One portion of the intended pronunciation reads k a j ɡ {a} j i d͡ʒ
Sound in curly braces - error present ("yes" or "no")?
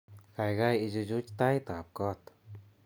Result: no